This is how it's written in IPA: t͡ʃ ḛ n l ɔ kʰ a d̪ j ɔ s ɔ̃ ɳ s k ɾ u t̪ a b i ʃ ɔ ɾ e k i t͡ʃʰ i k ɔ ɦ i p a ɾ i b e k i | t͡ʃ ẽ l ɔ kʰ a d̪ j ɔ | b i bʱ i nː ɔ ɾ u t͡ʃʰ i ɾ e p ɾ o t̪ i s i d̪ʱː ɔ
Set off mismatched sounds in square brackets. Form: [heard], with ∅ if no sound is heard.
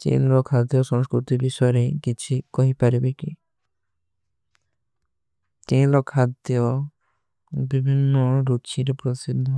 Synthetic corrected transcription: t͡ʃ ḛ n l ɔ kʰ a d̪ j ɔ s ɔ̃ [ŋ] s k ɾ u t̪ [i] b i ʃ ɔ ɾ e k i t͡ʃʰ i k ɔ ɦ i p a ɾ i b e k i | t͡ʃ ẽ l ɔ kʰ a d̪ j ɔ | b i bʱ i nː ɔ ɾ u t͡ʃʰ i ɾ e p ɾ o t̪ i s i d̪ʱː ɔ